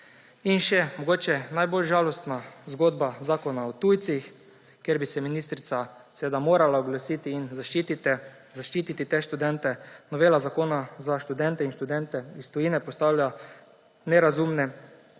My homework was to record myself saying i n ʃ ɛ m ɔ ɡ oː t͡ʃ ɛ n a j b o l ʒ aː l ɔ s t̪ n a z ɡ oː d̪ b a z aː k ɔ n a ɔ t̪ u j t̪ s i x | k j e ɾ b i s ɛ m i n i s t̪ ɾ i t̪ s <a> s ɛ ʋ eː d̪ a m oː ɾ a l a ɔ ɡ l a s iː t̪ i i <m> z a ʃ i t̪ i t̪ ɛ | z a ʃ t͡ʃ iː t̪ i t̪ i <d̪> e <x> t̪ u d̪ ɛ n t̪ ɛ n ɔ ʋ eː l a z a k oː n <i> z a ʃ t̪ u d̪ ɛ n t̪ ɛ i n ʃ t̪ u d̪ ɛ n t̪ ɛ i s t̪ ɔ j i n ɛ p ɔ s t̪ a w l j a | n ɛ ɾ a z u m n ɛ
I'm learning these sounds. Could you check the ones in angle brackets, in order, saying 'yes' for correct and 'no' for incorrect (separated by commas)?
yes, no, no, no, no